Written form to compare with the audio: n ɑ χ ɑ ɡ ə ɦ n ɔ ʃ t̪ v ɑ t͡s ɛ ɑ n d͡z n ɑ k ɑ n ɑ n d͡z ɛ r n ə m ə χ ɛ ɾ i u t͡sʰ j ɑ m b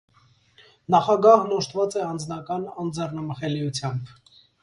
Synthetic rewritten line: n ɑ χ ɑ ɡ ɑ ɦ n ɔ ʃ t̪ v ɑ t͡s ɛ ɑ n d͡z n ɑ k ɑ n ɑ n d͡z ɛ r n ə m ə χ ɛ l i u t͡sʰ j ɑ m b